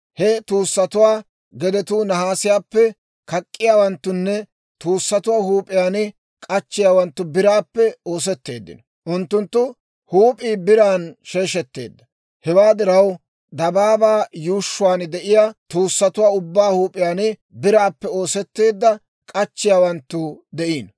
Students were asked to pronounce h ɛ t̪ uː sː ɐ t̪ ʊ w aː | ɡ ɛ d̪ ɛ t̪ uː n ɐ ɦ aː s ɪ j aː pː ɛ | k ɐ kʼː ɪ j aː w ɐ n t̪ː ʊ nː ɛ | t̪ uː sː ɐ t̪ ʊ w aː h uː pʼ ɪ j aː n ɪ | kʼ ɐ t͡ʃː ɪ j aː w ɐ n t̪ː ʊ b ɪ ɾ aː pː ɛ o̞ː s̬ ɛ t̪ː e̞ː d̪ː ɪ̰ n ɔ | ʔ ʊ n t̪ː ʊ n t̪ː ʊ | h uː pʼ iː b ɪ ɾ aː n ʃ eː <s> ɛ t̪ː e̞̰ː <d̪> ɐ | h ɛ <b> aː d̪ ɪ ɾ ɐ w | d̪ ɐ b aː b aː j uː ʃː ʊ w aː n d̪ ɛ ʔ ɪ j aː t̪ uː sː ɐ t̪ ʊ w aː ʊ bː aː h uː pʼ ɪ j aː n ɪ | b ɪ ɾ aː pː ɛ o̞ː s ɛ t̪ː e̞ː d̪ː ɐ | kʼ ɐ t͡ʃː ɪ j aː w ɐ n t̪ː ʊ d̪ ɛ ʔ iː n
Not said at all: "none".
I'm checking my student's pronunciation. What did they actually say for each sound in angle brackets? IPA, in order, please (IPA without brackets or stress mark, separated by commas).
ʃ, d̪ː, w